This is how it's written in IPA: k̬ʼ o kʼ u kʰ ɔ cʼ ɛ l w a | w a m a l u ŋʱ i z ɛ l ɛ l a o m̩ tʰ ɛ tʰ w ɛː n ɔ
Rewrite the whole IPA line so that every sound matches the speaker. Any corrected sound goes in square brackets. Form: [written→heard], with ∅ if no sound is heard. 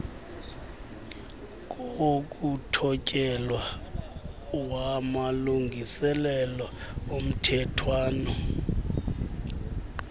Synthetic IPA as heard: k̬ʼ o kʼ u [kʰ→tʰ] ɔ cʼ ɛ l w a | w a m a l u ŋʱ i [z→s] ɛ l ɛ l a o m̩ tʰ ɛ tʰ w [ɛː→aː] n ɔ